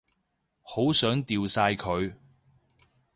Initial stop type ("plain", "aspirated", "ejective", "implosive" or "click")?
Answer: plain